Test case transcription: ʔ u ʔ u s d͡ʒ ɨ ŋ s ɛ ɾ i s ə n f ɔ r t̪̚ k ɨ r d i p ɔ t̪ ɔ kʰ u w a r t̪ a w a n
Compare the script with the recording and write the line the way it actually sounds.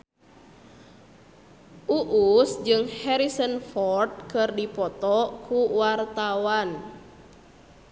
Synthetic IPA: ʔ u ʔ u s d͡ʒ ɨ ŋ h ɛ ɾ i s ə n f ɔ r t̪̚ k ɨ r d i p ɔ t̪ ɔ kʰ u w a r t̪ a w a n